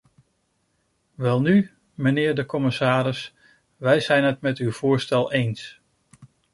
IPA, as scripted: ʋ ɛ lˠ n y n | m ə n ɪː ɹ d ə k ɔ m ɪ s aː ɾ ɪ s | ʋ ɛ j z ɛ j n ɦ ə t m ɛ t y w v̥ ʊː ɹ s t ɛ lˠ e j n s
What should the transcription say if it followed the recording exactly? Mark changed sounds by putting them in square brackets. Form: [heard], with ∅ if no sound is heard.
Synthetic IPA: ʋ ɛ lˠ n y [∅] | m ə n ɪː ɹ d ə k ɔ m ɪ s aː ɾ ɪ s | ʋ ɛ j z ɛ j n ɦ ə t m ɛ t y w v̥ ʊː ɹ s t ɛ lˠ e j n s